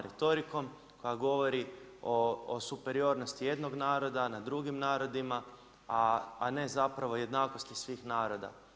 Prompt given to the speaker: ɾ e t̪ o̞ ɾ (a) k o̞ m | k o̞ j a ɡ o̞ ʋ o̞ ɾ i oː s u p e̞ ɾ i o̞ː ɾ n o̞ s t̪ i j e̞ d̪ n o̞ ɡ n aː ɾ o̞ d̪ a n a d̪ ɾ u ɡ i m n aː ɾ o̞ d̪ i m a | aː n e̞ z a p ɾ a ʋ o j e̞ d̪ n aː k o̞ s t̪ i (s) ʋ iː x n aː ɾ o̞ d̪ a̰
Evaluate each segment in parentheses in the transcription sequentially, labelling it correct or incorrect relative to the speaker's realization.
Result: incorrect, correct

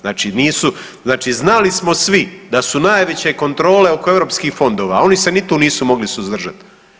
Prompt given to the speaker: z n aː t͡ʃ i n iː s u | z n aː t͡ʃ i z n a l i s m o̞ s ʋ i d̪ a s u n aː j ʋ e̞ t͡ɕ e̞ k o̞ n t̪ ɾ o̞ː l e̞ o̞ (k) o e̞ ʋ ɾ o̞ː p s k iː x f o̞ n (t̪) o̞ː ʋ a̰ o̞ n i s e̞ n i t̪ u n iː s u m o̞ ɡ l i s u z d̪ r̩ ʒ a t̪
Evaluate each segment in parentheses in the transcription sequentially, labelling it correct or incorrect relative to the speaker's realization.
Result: correct, incorrect

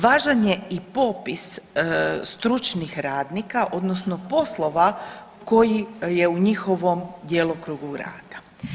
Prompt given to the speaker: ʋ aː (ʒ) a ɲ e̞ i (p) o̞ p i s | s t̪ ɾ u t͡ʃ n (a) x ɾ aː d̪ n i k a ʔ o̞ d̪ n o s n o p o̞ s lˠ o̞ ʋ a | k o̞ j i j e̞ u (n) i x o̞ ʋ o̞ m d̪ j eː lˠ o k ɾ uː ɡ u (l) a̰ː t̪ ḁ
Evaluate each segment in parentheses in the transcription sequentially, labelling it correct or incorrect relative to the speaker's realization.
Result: correct, correct, incorrect, incorrect, incorrect

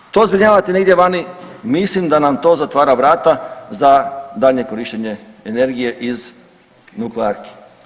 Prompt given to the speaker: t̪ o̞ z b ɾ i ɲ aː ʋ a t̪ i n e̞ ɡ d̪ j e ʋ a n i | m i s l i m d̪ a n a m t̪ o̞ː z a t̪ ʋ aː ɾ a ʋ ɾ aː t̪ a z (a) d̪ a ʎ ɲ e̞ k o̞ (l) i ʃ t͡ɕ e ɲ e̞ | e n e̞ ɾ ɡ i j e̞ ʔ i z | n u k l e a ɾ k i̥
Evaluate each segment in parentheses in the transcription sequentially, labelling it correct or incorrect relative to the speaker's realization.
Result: correct, incorrect

